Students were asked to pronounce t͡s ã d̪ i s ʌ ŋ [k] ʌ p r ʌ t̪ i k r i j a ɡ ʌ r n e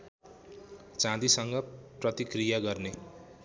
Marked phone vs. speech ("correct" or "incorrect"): incorrect